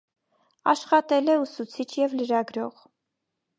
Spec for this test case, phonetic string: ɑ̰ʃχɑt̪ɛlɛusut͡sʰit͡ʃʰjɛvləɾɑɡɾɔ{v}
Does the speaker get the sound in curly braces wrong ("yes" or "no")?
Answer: yes